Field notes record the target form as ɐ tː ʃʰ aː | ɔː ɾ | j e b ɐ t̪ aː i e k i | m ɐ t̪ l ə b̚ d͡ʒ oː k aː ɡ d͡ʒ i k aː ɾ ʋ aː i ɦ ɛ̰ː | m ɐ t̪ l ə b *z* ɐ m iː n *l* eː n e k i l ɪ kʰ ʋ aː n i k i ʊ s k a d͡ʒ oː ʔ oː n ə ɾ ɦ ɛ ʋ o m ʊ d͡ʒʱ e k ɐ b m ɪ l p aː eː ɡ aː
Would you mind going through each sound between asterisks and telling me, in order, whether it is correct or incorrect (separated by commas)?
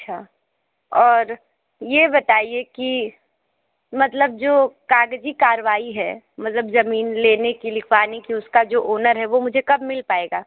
correct, correct